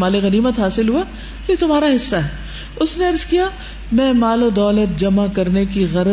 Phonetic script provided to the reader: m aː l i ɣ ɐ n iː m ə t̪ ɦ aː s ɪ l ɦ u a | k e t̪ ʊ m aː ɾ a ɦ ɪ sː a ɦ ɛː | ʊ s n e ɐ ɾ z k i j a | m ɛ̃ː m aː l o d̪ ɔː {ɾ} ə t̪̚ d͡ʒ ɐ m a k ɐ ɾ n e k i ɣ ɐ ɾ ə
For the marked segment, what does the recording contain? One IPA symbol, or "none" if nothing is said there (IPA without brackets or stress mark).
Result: l